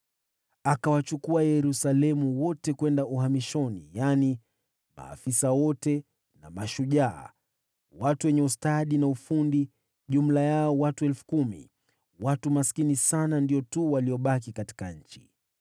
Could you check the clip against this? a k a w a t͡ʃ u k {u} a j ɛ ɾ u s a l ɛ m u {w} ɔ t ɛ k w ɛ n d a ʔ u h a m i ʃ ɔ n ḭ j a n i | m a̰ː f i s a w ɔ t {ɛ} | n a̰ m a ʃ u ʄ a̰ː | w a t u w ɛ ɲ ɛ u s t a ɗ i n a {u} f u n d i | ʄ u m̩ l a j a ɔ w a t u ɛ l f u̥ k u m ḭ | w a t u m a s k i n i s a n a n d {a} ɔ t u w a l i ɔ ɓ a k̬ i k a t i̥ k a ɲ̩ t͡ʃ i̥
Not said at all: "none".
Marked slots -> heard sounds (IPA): u, w, ɛ, u, i

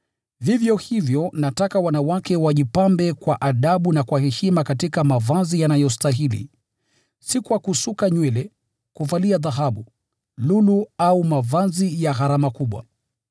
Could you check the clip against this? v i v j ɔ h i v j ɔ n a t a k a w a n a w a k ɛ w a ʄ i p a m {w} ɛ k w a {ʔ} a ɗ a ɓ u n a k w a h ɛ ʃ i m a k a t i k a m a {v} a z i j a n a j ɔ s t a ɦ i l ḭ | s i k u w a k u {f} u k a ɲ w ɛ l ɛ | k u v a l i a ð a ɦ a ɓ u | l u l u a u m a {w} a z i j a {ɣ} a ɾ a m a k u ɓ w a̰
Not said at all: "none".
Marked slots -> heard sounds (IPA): b, ʔ, v, s, v, ɣ

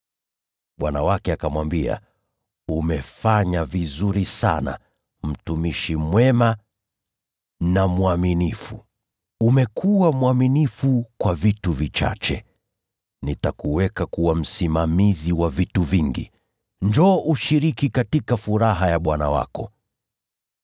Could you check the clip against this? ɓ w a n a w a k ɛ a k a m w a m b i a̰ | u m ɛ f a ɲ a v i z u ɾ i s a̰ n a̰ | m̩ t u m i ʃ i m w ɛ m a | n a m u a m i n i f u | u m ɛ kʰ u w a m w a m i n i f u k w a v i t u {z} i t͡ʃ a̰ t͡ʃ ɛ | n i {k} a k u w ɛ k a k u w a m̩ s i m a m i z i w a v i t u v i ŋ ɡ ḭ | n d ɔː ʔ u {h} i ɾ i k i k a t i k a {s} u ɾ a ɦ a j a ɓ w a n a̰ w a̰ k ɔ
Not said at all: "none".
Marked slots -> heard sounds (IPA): v, t, ʃ, f

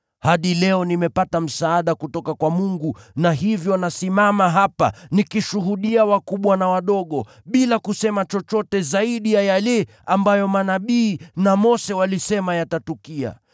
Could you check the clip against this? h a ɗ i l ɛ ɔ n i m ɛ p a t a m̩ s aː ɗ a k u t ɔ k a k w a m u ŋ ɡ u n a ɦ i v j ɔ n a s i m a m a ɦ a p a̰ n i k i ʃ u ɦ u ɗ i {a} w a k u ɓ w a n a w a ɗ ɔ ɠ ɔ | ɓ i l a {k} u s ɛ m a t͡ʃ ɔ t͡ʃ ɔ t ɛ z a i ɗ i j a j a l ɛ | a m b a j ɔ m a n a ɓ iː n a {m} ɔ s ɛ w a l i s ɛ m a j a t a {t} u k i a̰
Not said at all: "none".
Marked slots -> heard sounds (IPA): a, k, m, t

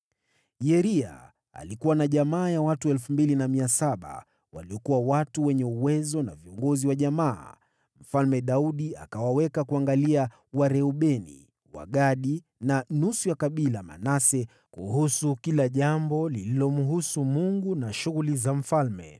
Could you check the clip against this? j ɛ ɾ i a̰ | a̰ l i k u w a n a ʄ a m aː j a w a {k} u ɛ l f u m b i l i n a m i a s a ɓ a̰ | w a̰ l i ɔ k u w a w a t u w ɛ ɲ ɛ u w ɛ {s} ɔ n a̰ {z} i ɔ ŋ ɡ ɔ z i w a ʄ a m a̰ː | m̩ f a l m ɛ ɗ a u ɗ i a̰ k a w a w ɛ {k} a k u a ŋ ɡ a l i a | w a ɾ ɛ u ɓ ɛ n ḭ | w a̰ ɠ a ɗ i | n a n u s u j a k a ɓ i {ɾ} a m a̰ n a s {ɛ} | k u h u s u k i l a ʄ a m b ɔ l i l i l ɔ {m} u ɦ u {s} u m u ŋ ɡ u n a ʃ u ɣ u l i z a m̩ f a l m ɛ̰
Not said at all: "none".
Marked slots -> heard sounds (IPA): t, z, v, k, l, ɛ, m, s

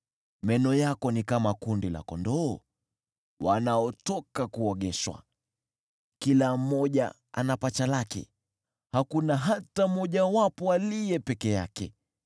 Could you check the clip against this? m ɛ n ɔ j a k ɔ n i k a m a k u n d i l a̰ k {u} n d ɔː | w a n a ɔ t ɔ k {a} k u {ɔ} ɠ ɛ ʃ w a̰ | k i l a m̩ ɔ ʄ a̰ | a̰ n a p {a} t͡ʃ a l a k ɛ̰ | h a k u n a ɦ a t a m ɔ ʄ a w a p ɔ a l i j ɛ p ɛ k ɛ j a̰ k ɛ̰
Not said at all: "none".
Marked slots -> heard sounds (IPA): ɔ, a, ɔ, a

